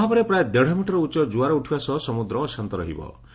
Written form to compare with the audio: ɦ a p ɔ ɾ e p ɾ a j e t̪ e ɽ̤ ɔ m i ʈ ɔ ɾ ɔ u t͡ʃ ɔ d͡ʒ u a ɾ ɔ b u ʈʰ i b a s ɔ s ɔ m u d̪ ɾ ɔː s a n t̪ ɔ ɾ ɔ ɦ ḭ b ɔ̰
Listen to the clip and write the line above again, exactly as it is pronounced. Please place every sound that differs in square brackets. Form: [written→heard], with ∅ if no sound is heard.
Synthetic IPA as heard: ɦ a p ɔ ɾ e p ɾ a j e [t̪→d̪] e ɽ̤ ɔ m i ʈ ɔ ɾ ɔ u t͡ʃ ɔ d͡ʒ u a ɾ ɔ [b→∅] u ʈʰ i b a s ɔ s ɔ m u d̪ ɾ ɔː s a n t̪ ɔ ɾ ɔ ɦ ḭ b ɔ̰